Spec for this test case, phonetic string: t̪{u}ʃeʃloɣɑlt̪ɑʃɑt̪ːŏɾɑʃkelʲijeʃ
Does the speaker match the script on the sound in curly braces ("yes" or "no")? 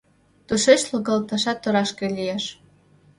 yes